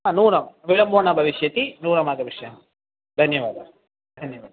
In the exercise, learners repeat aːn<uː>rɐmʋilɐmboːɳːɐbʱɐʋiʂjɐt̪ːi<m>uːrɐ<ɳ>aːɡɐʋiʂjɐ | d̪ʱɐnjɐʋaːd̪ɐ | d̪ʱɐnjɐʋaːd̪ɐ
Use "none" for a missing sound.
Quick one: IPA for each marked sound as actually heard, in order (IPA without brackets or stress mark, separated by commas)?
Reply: uː, n, m